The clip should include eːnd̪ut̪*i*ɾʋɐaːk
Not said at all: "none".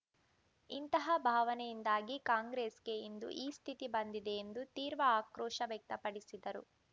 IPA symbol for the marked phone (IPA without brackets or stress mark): iː